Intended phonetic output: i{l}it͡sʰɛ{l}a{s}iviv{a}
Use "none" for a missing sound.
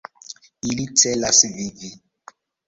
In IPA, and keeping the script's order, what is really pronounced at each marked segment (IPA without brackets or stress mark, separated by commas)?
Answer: l, l, s, i